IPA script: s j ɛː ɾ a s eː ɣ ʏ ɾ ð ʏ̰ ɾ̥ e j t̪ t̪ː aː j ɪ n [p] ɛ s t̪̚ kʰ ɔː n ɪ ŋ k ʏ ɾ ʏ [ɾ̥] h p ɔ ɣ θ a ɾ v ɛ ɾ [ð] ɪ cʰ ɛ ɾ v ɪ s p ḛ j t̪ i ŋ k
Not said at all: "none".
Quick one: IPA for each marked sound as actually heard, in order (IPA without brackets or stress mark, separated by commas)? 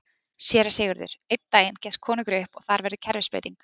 c, none, ð